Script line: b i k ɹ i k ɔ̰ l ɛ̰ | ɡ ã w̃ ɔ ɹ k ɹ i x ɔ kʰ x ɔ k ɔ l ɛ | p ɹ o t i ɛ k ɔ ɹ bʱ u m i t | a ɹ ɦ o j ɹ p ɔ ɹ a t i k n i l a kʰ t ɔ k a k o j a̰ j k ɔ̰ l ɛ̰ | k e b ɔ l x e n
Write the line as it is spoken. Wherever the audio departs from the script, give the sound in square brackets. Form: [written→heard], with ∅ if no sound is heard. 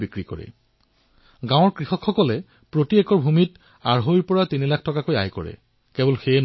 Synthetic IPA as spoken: b i k ɹ i k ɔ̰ [l→ɹ] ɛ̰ | ɡ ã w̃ ɔ ɹ k ɹ i x ɔ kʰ x ɔ k ɔ l ɛ | p ɹ o t i ɛ k ɔ ɹ bʱ u m i t | a ɹ ɦ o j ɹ p ɔ ɹ a t i [k→∅] n i l a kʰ t ɔ k a k o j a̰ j k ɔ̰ [l→ɹ] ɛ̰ | k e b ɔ l x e n

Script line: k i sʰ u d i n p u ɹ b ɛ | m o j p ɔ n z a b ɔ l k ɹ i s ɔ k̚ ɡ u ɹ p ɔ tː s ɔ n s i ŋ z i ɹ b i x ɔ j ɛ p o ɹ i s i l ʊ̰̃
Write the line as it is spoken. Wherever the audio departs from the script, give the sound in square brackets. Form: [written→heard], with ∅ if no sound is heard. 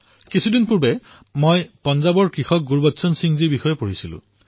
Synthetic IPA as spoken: k i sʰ u d i n p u ɹ b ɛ | m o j p ɔ n z a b ɔ [l→ɹ] k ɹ i [s→x] ɔ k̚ ɡ u ɹ [p→b] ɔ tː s ɔ n s i ŋ z i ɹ b i x ɔ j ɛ p o ɹ i s i l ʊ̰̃

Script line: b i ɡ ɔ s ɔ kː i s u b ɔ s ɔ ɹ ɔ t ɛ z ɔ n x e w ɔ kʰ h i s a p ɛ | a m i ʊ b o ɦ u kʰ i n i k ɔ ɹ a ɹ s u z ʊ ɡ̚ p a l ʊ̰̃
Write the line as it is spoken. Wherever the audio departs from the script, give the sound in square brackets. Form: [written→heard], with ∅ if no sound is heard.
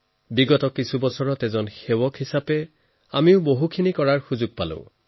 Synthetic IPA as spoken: b i ɡ ɔ [s→t] ɔ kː i s u b ɔ s ɔ ɹ ɔ t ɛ z ɔ n x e w ɔ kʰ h i s a p ɛ | a m i ʊ b o ɦ u kʰ i n i k ɔ ɹ a ɹ [s→x] u z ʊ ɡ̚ p a l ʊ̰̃

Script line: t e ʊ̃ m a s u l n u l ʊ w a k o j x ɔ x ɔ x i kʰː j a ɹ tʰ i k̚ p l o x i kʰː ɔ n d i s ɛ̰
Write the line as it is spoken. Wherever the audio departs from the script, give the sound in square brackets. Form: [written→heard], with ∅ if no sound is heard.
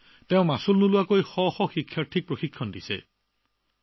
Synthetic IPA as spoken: t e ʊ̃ m a s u l n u l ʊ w a k o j x ɔ x ɔ x i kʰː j a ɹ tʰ i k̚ p [l→ɹ] o x i kʰː ɔ n d i s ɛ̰

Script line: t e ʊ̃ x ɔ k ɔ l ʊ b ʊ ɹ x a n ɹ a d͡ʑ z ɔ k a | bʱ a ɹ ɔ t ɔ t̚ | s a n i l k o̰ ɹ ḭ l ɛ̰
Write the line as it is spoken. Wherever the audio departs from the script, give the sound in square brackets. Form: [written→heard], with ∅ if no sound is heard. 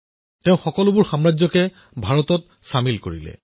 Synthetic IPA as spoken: t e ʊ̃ x ɔ k ɔ l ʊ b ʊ ɹ x a [n→m] ɹ a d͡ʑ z ɔ k [a→ɛ] | bʱ a ɹ ɔ t ɔ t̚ | s a [n→m] i l k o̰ ɹ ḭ l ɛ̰

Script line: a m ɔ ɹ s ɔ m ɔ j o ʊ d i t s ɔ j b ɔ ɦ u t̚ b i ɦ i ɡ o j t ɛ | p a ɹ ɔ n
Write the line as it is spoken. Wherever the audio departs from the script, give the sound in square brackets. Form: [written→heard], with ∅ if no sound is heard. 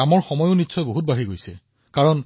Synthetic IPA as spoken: a m ɔ ɹ [s→x] ɔ m ɔ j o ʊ [d→n] i t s ɔ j b [ɔ→o] ɦ u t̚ b [i→a] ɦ i ɡ o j [t→s] ɛ | [p→k] a ɹ ɔ n

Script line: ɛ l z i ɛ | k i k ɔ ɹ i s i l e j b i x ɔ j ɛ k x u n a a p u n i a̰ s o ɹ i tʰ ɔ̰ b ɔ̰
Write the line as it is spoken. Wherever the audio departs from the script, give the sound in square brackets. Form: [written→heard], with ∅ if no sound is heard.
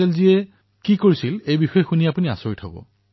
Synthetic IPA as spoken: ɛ l z i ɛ | k i k [ɔ→o] ɹ i s i l e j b i x ɔ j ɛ [k→∅] x u n [a→i] a p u n i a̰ s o ɹ i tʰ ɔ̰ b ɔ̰

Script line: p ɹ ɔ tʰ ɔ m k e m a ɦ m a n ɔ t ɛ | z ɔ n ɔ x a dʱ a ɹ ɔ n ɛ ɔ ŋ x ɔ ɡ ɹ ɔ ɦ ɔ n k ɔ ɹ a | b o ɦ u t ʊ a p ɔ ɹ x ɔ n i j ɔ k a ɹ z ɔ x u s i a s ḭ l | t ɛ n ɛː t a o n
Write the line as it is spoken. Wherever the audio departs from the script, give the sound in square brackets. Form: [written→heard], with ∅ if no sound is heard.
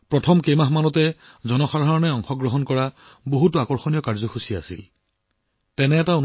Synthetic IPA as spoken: p ɹ ɔ tʰ ɔ m k e m a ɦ m a n ɔ t ɛ | z ɔ n ɔ x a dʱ a ɹ ɔ n ɛ ɔ ŋ x ɔ ɡ ɹ ɔ ɦ ɔ n k ɔ ɹ a | b o ɦ u t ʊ a [p→k] ɔ ɹ x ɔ n i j ɔ k a ɹ z ɔ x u s i a s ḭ l | t ɛ n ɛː t a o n

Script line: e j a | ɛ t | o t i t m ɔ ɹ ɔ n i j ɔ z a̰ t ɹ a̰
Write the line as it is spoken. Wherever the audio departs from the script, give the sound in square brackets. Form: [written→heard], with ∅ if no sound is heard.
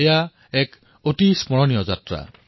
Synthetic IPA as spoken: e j a | ɛ [t→k] | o t i [t→s] m ɔ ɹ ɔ n i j ɔ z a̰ t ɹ a̰

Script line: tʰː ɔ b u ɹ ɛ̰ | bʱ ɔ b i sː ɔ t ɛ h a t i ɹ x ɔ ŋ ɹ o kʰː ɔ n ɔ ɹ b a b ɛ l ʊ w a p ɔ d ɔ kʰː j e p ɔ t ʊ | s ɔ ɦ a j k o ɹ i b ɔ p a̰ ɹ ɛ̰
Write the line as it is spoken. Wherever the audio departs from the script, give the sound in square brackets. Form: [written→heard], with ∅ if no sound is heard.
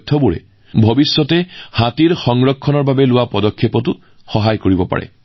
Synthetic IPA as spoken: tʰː ɔ b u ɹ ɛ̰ | bʱ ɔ b i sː ɔ t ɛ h a t i ɹ x ɔ ŋ ɹ [o→ɔ] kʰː ɔ n ɔ ɹ b a b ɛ l ʊ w a p ɔ d ɔ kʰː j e p ɔ t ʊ | [s→x] ɔ ɦ a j k o ɹ i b ɔ p a̰ ɹ ɛ̰

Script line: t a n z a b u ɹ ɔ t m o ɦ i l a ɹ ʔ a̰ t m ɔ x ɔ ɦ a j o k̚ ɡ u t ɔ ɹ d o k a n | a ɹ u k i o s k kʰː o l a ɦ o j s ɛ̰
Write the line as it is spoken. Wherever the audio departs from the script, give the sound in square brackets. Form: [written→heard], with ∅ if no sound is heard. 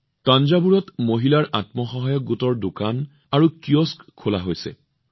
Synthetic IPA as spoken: t a n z a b u ɹ ɔ t m o ɦ i l a ɹ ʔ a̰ t m ɔ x ɔ ɦ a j [o→ɔ] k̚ ɡ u t ɔ ɹ d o k a n | a ɹ u k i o s k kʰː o l a ɦ o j s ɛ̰

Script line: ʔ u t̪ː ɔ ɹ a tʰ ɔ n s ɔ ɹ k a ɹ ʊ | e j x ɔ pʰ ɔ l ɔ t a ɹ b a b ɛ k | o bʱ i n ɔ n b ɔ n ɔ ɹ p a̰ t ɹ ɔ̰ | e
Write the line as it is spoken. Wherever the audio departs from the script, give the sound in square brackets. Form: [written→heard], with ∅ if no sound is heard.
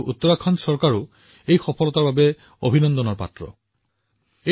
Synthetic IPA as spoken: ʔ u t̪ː ɔ ɹ a [tʰ→kʰ] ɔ n s ɔ ɹ k a ɹ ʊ | e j x ɔ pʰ ɔ l ɔ t a ɹ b a b ɛ [k→∅] | o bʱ i n ɔ n [b→d] ɔ n ɔ ɹ p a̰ t ɹ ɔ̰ | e

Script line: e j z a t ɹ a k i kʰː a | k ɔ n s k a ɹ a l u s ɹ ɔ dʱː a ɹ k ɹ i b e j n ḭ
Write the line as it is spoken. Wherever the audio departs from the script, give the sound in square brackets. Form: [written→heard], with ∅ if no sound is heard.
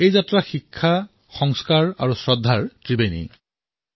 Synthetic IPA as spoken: e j z a t ɹ a [k→x] i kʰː a | [k→x] ɔ [n→ŋ] s k a ɹ a [l→ɹ] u s ɹ ɔ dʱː a ɹ [k→t] ɹ i b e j n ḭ

